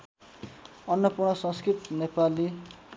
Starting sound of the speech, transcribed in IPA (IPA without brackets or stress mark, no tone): ʌ